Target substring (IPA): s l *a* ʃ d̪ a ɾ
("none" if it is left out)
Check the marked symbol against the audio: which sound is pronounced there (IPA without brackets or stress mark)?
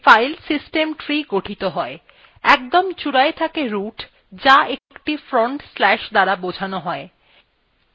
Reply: ɛ